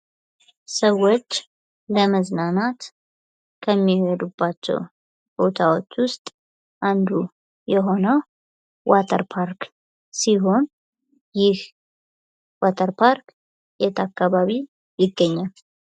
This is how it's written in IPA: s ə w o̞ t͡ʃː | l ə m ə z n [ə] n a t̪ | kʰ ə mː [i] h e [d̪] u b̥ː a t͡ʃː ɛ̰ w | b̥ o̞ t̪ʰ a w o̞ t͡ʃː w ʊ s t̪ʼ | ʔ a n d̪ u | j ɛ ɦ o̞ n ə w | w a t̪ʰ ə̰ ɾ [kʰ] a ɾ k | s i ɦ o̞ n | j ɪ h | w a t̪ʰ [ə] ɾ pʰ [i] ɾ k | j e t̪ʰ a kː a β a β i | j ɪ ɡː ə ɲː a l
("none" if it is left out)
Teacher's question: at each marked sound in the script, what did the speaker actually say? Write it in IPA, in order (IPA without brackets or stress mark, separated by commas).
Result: a, i, d̪, pʰ, ə, a